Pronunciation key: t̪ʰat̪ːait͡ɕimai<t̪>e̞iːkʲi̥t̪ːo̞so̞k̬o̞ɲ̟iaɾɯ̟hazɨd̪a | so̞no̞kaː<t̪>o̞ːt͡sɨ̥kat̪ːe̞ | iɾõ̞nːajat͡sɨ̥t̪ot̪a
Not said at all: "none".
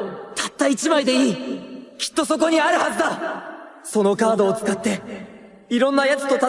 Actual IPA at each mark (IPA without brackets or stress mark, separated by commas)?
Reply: d̪, d̪